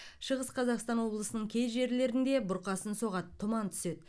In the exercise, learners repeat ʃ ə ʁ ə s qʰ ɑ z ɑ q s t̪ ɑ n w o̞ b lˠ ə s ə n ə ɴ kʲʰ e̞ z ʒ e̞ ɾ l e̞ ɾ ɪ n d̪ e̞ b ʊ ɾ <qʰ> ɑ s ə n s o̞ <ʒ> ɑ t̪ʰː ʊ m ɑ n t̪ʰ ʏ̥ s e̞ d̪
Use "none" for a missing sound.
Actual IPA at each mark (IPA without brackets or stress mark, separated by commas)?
q, ʁ